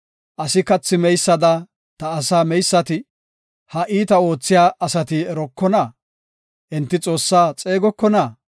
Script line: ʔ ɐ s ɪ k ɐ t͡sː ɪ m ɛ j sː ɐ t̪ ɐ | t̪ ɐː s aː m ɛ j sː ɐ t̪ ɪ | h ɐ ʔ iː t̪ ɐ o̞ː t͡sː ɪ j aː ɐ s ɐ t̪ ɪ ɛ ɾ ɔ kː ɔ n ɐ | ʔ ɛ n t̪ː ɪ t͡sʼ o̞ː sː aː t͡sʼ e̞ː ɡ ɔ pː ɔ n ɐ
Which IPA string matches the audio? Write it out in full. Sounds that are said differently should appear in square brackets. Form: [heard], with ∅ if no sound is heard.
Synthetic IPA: ʔ ɐ s ɪ k ɐ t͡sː ɪ m ɛ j sː ɐ [d̪] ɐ | t̪ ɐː s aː m ɛ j sː ɐ t̪ ɪ | h ɐ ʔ iː t̪ ɐ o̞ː t͡sː ɪ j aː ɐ s ɐ t̪ ɪ ɛ ɾ ɔ kː ɔ n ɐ | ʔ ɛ n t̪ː ɪ t͡sʼ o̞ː sː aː t͡sʼ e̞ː ɡ ɔ [kː] ɔ n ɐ

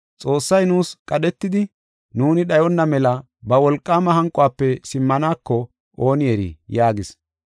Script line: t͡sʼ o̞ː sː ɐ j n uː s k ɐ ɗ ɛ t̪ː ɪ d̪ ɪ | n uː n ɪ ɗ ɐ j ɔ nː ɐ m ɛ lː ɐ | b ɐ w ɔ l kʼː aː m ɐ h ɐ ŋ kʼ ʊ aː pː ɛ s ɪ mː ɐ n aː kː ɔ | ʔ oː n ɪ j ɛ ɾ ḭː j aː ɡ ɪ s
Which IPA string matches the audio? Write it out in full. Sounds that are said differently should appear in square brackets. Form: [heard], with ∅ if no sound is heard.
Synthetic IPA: t͡sʼ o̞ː sː ɐ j n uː s [kʼ] ɐ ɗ ɛ t̪ː ɪ d̪ ɪ | n uː n ɪ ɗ ɐ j ɔ nː ɐ m ɛ [l] ɐ | b ɐ w ɔ l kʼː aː m ɐ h ɐ ŋ kʼ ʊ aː pː ɛ s ɪ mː ɐ n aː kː ɔ | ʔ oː n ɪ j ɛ ɾ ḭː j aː ɡ ɪ s

